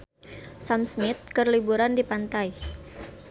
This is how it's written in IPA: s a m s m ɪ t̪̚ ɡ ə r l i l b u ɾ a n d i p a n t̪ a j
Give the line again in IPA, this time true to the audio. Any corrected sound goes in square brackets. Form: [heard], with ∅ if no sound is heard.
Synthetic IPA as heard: s a m s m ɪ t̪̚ [k] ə r l i [∅] b u ɾ a n d i p a n t̪ a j